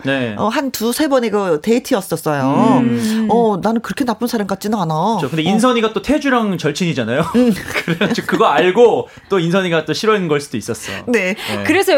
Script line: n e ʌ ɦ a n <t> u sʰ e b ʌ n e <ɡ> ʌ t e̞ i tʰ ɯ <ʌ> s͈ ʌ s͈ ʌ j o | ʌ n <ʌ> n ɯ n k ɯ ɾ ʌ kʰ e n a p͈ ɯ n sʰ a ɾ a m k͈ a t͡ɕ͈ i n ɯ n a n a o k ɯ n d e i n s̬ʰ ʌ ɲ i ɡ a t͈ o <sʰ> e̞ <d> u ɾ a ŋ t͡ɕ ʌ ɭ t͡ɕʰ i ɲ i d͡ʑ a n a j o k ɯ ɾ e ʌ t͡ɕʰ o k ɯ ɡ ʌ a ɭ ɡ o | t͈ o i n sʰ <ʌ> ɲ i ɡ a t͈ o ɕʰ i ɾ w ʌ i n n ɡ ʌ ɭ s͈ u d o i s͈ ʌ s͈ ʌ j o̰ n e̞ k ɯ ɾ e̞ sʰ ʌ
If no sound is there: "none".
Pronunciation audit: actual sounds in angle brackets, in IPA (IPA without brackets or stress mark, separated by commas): t, ɡ, ʌ, a, tʰ, d͡ʑ, ʌ